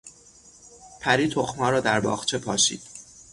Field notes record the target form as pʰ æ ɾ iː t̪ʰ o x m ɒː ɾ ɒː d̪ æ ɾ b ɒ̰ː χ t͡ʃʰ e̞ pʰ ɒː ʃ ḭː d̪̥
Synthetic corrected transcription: pʰ æ ɾ iː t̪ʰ o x m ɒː ɾ ɒː d̪ æ ɾ b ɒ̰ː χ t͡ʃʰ e̞ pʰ ɒː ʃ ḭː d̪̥